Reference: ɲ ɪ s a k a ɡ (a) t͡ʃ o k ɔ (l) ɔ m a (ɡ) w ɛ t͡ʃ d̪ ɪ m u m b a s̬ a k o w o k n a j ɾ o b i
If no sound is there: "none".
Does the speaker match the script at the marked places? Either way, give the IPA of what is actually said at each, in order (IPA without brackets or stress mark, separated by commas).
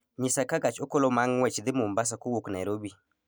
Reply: a, l, ŋ